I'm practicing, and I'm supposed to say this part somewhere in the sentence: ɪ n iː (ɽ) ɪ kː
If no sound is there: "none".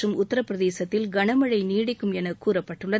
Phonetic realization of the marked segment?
ɽ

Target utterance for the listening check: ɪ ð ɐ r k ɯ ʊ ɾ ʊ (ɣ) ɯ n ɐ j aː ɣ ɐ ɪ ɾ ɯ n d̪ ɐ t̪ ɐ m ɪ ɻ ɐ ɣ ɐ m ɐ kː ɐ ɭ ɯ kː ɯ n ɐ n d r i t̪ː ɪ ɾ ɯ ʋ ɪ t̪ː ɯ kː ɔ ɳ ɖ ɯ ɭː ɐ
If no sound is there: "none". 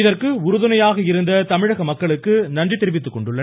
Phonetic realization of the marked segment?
ð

